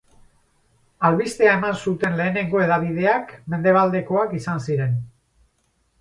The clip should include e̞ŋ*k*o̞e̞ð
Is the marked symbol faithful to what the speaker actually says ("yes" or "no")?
no